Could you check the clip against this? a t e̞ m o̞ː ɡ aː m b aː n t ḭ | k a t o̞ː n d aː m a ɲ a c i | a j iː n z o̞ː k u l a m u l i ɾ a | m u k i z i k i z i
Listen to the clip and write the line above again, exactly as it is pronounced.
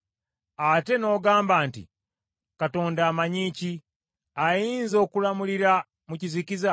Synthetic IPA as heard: a t e̞ n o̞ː ɡ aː m b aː n t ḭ | k a t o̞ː n d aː m a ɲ i c i | a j iː n z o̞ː k u l a m u l i ɾ a | m u c i z i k i z a